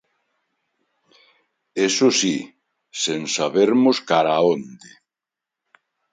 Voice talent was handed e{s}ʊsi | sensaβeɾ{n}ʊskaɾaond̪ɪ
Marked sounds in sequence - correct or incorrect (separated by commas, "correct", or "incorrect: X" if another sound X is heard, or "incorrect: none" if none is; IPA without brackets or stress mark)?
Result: correct, incorrect: m